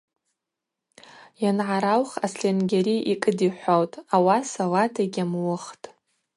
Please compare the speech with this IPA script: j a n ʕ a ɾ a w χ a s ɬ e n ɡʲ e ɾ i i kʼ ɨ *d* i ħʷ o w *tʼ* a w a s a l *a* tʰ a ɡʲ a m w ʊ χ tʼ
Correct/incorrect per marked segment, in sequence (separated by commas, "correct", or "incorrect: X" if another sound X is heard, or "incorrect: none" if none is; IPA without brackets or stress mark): correct, correct, correct